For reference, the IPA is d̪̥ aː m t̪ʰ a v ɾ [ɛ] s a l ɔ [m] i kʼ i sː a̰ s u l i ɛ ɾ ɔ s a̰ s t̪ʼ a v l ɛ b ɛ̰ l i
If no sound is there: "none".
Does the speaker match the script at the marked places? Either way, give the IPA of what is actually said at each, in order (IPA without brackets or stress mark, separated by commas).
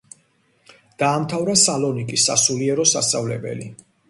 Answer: a, n